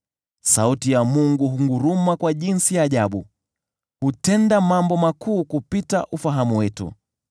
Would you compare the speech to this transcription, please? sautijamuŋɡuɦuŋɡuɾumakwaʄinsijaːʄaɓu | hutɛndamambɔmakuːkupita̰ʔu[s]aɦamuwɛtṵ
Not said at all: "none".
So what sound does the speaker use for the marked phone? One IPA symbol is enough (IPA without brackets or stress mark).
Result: f